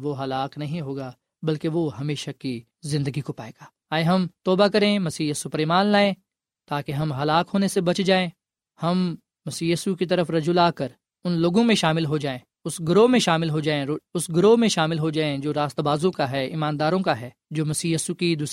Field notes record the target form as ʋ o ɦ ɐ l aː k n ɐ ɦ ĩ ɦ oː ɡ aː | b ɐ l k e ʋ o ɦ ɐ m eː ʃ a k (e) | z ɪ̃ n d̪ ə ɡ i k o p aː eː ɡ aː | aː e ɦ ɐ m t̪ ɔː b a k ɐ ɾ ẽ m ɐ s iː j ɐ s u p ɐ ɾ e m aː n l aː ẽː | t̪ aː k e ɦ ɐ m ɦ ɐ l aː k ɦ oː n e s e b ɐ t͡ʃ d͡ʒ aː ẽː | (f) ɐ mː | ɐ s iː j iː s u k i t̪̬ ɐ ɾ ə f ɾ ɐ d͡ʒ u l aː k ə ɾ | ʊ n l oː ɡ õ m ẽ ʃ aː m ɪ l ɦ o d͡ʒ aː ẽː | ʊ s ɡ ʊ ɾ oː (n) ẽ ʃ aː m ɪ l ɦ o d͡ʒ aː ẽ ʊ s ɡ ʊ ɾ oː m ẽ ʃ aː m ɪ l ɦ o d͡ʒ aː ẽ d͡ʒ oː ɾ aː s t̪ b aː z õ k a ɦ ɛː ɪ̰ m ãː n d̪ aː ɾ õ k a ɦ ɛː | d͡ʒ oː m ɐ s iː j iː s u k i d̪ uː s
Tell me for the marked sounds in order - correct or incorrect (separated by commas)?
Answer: incorrect, incorrect, incorrect